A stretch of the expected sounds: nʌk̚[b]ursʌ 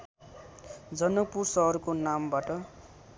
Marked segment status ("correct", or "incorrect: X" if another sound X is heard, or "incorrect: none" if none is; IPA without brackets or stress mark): incorrect: p